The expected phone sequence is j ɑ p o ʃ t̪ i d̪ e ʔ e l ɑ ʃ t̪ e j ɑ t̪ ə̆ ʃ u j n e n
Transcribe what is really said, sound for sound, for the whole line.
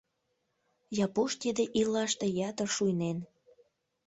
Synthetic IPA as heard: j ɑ p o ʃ t̪ i d̪ e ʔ i l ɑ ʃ t̪ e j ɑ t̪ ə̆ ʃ u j n e n